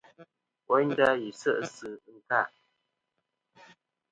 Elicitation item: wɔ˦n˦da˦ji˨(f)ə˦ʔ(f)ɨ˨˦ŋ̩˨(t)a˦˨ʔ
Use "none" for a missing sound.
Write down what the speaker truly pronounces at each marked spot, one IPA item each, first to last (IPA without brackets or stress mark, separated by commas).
s, s, k